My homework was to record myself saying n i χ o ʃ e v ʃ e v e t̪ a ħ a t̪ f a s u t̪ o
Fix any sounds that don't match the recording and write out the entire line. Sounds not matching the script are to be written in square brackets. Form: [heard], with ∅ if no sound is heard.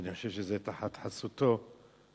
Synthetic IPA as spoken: n i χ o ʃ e v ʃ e [z] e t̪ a ħ a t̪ [ħ] a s u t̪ o

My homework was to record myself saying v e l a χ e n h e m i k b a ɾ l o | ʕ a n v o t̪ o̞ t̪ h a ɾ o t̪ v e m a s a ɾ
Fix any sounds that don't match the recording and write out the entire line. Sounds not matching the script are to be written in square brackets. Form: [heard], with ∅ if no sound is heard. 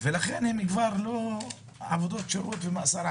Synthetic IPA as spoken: v e l a χ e n h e m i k [v] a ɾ l o | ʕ a [∅] v o [d̪] o̞ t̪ [ʃ] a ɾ o t̪ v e m a s a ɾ

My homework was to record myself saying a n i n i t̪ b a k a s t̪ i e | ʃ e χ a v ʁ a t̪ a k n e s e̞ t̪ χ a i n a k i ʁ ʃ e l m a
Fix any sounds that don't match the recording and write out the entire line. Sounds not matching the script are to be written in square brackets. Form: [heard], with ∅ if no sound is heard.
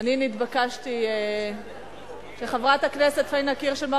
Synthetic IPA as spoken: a n i n i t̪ b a k a [ʃ] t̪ i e | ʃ e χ a v ʁ a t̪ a k n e s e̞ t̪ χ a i n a k i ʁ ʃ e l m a

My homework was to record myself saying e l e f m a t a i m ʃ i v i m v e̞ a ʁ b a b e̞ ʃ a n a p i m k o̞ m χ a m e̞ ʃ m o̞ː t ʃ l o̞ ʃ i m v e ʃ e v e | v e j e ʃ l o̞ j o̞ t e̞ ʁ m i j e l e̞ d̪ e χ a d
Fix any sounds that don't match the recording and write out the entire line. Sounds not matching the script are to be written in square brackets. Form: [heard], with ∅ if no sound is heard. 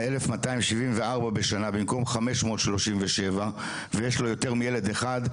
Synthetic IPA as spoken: e l e f m a t a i m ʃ i v i m v e̞ a ʁ b a b e̞ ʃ a n a [b] i m k o̞ m χ a m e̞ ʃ m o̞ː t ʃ l o̞ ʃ i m v e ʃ e v [a] | v e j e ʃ l o̞ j o̞ t e̞ ʁ m i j e l e̞ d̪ e χ a d

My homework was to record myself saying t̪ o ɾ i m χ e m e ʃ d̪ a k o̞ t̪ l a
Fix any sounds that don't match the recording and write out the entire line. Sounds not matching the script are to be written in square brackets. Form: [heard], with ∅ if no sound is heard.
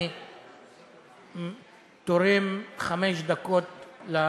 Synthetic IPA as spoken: t̪ o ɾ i m χ [a] m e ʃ d̪ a k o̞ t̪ l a

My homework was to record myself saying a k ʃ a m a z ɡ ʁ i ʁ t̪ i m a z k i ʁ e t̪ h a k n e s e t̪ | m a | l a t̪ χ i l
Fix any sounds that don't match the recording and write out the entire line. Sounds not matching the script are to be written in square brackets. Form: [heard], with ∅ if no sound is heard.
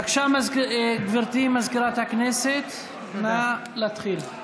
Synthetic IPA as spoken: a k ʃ a m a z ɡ [v] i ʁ t̪ i m a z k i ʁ [a] t̪ h a k n e s e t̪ | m a | l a t̪ χ i l

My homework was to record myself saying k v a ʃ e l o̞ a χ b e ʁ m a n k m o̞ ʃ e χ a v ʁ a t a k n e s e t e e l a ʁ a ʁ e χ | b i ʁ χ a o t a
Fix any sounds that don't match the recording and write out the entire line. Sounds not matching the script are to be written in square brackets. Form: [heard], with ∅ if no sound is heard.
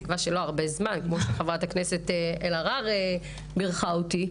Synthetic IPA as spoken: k v a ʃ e l o̞ a [ʁ] b e [z] m a n k m o̞ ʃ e χ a v ʁ a t a k n e s e t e e l a ʁ a ʁ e [∅] | b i ʁ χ a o t [i]

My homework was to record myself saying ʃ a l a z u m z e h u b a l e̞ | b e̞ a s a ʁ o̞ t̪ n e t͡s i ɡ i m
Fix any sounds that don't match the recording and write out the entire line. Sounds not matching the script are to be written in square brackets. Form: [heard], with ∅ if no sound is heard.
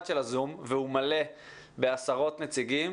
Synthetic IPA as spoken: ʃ [e] l a z u m [v] e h u [m] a l e̞ | b e̞ a s a ʁ o̞ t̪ n e t͡s i ɡ i m

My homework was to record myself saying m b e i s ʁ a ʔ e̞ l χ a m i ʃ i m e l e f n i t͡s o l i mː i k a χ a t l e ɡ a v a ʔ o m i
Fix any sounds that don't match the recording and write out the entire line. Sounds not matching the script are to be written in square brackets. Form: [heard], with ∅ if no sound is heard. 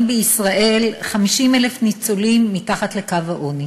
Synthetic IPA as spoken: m b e i s ʁ a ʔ e̞ l χ a m i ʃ i m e l e f n i t͡s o l i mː i [t] a χ a t l e [k] a v a ʔ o [n] i

